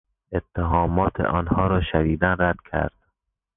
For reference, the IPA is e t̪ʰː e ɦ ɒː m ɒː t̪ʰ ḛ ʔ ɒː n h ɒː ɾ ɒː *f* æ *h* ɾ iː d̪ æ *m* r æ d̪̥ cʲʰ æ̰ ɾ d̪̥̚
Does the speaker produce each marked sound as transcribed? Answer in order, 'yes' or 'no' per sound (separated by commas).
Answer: no, no, no